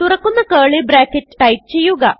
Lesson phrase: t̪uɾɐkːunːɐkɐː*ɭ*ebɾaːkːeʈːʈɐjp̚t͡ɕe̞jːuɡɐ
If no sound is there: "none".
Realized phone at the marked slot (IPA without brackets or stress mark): ɭ